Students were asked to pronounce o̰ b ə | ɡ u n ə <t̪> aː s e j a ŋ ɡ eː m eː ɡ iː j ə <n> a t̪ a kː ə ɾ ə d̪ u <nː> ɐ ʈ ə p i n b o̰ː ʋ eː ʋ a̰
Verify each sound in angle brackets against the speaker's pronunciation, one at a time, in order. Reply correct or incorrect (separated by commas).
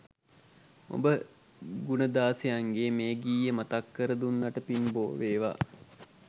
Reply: incorrect, incorrect, correct